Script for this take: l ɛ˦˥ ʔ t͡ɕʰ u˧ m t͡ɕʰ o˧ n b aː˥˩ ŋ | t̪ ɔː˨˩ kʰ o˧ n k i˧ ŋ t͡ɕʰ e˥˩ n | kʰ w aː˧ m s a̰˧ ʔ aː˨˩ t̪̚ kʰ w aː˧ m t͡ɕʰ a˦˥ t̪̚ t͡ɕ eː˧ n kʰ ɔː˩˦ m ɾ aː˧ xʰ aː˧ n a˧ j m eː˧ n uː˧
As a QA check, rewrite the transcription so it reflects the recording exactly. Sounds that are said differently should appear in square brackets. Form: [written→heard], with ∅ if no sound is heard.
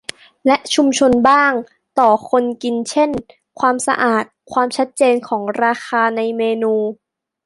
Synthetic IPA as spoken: l ɛ˦˥ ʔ t͡ɕʰ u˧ m t͡ɕʰ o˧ n b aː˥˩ ŋ | t̪ ɔː˨˩ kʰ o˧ n k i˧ [ŋ→n] t͡ɕʰ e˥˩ n | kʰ w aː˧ m s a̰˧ ʔ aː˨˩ t̪̚ kʰ w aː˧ m t͡ɕʰ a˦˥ t̪̚ t͡ɕ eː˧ n kʰ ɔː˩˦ [m→ŋ] ɾ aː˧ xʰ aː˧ n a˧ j m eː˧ n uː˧